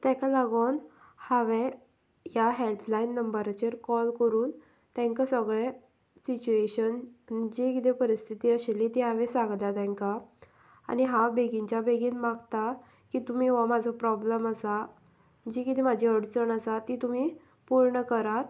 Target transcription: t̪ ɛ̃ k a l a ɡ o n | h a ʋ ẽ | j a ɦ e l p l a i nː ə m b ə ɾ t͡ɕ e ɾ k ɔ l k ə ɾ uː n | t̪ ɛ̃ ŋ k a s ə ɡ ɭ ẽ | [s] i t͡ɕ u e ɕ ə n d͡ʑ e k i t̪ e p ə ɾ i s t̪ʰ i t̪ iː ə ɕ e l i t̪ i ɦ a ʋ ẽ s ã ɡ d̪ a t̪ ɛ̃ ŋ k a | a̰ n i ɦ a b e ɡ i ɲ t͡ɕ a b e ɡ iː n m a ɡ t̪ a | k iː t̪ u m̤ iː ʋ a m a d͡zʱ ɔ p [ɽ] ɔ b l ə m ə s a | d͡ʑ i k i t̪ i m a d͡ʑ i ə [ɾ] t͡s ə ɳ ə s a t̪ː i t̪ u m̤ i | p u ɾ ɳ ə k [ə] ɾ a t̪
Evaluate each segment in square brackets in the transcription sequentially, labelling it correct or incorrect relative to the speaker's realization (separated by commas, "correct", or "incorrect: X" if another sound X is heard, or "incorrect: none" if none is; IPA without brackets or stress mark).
correct, incorrect: ɾ, incorrect: ɽ, correct